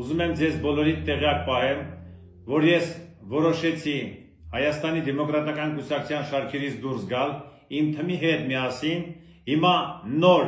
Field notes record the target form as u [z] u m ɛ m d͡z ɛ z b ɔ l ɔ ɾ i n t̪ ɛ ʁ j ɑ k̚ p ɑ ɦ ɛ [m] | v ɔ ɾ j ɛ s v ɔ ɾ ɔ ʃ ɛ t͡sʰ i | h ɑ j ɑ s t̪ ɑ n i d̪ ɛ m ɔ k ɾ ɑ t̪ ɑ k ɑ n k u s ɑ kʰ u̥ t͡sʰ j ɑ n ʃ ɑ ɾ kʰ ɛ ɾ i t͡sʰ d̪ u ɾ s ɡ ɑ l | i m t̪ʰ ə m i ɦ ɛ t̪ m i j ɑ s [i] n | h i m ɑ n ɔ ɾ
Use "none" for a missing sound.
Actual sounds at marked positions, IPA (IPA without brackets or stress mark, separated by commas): z, m, i